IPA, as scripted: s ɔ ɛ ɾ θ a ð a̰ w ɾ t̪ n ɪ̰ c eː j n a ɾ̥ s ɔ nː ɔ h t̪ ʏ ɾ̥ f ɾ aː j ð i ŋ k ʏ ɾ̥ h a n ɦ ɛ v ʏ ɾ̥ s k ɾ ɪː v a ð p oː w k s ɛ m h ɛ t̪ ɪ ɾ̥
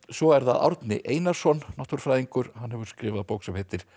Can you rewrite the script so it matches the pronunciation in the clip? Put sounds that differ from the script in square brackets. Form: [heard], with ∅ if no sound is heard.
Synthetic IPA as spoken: s ɔ ɛ ɾ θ a ð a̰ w ɾ t̪ n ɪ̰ [ʔ] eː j n a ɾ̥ s ɔ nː ɔ h t̪ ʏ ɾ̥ f ɾ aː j ð i ŋ k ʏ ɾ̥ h a n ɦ ɛ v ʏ ɾ̥ s k ɾ ɪː v a ð p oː w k s ɛ m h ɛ t̪ ɪ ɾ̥